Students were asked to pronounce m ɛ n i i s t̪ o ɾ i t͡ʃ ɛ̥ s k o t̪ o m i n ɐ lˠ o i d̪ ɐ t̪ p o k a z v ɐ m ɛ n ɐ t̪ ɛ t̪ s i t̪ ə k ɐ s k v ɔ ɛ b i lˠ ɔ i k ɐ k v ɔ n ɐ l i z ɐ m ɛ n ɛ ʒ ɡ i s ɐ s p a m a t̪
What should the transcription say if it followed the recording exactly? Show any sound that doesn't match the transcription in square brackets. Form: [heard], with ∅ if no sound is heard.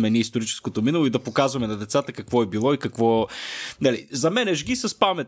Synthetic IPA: m ɛ n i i s t̪ o ɾ i t͡ʃ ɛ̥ s k o t̪ o m i n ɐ lˠ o i d̪ ɐ [∅] p o k a z v ɐ m ɛ n ɐ [d̪] ɛ t̪ s [a] t̪ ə k ɐ [∅] k v ɔ ɛ b i lˠ ɔ i k ɐ k v ɔ n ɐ l i z ɐ m ɛ n ɛ ʒ ɡ i s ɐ s p a m [ɛ] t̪